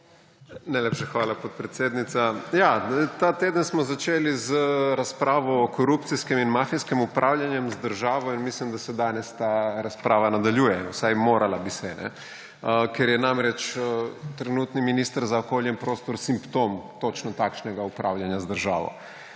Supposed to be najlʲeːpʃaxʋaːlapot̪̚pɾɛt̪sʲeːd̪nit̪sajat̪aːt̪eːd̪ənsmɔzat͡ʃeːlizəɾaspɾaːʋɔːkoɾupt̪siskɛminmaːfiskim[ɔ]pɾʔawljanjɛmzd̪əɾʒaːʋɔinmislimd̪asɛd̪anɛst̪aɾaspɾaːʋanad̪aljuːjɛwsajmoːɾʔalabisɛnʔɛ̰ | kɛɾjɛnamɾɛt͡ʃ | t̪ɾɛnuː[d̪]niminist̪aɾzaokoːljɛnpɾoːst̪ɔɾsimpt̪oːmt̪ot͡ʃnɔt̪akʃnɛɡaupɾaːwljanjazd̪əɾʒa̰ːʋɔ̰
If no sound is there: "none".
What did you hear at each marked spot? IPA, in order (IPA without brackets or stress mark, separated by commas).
u, t̪